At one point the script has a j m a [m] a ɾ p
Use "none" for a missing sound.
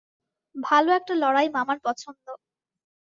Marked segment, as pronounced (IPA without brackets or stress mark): m